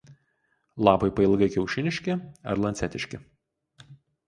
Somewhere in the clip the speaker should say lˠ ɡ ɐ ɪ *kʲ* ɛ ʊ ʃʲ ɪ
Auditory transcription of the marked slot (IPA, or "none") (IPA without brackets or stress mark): kʲ